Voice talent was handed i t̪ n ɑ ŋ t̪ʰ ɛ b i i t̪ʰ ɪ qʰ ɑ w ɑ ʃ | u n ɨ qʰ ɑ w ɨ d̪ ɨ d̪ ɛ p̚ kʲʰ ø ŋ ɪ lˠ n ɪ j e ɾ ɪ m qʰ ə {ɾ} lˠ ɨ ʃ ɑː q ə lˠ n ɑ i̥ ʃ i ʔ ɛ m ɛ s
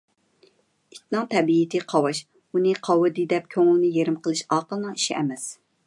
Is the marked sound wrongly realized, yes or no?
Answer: yes